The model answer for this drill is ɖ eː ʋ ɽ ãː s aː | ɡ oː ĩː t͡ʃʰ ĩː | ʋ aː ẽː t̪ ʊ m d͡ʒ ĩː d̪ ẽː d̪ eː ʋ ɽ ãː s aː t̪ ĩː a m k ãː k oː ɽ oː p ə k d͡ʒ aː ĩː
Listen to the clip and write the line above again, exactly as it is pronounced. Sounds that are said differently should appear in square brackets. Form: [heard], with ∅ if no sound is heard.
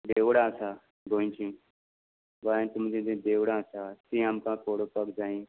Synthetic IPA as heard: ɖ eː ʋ ɽ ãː s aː | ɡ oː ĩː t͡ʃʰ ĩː | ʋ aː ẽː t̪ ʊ m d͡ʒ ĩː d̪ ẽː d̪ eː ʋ ɽ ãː s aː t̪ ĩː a m k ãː k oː ɽ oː p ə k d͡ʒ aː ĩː